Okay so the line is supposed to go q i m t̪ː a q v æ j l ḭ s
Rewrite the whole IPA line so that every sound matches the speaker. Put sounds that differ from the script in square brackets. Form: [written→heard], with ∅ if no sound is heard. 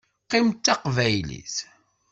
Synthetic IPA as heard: q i m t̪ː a q v æ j l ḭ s